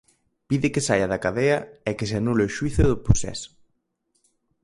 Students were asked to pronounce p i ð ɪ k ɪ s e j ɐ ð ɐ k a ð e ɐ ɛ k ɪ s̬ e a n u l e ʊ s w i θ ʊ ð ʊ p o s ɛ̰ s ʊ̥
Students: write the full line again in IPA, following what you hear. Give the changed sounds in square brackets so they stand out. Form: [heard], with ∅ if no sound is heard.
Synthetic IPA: p i ð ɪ k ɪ s [a] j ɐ ð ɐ k a ð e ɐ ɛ k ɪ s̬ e a n u l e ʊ [ʃ] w i θ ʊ ð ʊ p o s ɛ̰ s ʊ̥